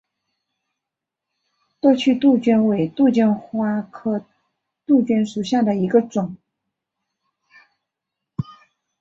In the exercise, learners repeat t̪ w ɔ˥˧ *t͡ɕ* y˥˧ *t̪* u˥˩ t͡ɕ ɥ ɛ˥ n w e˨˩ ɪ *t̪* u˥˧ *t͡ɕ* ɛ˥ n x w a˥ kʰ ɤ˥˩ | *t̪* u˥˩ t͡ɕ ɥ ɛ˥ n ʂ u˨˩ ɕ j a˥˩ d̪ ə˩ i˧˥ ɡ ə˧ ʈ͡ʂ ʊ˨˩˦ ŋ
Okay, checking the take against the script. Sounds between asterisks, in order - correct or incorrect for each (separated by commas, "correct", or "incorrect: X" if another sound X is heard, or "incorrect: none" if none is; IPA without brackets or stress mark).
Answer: incorrect: t͡ɕʰ, correct, correct, correct, correct